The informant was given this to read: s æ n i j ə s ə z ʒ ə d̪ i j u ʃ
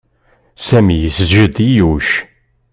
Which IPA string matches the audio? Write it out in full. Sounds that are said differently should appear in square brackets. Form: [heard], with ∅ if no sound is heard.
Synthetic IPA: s æ [m] i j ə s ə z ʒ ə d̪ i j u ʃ